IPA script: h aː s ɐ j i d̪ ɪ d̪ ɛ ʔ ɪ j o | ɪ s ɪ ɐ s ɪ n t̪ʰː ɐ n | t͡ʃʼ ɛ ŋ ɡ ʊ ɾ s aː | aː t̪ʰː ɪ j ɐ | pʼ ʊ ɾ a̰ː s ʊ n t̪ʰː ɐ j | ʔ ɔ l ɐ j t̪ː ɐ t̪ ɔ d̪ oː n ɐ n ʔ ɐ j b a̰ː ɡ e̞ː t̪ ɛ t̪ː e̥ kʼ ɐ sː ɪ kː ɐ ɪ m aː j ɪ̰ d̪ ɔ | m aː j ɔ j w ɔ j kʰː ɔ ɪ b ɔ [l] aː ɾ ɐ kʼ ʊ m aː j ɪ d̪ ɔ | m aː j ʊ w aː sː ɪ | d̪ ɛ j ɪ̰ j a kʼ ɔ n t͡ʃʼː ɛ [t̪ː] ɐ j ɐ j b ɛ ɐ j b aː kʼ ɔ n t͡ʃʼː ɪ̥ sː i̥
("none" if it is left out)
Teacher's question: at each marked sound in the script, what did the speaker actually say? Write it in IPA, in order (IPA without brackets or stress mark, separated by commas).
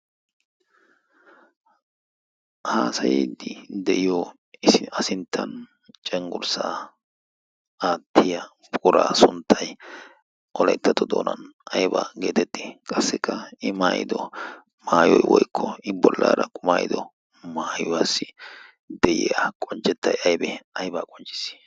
lː, t̪ː